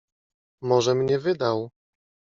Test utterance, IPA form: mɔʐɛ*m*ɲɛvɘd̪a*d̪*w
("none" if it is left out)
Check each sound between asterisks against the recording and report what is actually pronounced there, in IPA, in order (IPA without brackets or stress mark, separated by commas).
m, none